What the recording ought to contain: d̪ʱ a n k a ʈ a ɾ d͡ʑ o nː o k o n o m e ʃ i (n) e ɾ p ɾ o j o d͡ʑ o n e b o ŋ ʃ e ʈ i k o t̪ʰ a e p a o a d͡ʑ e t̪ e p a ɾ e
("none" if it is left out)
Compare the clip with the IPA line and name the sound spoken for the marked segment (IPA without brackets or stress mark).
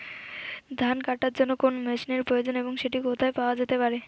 n